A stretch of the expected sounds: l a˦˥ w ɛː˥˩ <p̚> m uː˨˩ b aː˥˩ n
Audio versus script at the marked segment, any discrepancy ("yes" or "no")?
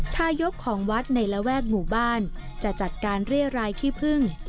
yes